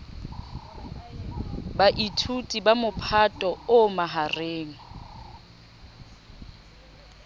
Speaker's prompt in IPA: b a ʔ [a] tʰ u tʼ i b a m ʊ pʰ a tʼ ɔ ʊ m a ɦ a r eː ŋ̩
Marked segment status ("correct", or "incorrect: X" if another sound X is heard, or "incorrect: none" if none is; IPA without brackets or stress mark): incorrect: i